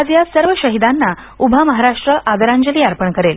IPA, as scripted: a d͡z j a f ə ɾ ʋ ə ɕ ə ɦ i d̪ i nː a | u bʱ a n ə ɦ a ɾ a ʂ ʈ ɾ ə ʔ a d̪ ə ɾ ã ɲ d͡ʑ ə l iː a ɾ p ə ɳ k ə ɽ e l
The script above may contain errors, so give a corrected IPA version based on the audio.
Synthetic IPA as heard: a d͡z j a s ə ɾ ʋ ə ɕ ə ɦ i d̪ a nː a | u bʱ a m ə ɦ a ɾ a ʂ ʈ ɾ ə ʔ a d̪ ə ɾ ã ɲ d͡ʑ ə l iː a ɾ p ə ɳ k ə ɾ e l